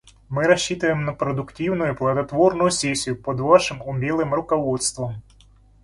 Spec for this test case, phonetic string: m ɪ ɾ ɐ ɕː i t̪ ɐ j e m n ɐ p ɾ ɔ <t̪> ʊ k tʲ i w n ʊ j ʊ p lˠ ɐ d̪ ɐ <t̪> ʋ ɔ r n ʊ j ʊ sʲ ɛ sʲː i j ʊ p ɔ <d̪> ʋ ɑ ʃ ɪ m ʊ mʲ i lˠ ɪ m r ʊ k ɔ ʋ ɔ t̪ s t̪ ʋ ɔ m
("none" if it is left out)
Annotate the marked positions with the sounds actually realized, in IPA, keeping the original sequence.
d̪, t̪, d̪

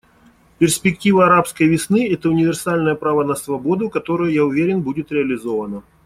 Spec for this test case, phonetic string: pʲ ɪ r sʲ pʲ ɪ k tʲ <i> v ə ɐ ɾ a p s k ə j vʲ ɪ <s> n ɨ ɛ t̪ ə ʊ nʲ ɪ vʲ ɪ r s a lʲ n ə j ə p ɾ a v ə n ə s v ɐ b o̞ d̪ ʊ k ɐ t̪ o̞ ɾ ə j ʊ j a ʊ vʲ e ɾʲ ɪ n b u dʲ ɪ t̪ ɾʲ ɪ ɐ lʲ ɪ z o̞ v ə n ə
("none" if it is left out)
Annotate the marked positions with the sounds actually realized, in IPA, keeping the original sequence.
i, s

